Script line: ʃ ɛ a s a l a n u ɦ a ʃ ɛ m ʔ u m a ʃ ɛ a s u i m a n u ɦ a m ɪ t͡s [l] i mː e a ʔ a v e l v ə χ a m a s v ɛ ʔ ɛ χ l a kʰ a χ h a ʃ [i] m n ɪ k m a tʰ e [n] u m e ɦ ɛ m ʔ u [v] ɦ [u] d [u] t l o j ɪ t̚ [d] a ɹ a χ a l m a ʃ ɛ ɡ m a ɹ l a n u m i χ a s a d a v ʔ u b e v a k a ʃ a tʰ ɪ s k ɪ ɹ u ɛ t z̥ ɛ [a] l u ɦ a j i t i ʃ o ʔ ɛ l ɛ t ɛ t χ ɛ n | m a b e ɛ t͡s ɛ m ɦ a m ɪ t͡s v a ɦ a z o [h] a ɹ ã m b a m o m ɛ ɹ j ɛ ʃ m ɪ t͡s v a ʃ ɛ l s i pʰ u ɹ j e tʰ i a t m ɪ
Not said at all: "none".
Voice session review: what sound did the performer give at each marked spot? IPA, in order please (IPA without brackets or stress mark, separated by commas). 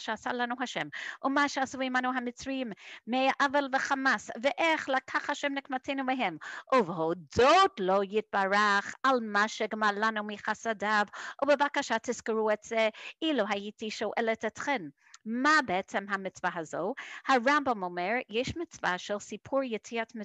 ɹ, ɛ, n, v, o, o, b, i, h